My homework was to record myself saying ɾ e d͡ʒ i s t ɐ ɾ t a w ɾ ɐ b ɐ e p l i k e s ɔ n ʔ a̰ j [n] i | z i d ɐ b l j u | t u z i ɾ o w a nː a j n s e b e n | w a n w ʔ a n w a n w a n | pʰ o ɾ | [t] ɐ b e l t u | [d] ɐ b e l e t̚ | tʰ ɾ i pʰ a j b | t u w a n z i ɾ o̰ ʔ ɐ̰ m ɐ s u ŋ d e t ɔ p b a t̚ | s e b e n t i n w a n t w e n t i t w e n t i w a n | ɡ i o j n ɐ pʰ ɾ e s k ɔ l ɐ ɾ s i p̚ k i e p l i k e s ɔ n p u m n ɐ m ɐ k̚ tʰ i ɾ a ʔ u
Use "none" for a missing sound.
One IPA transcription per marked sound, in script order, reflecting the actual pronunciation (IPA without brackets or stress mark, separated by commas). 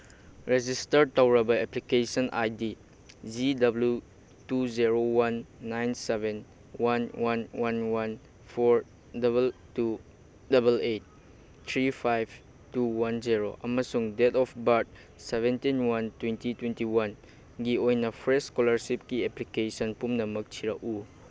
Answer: d, d, d